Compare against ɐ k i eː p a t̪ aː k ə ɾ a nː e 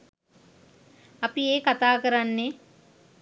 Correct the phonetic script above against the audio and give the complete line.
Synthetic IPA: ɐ p i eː k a t̪ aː k ə ɾ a nː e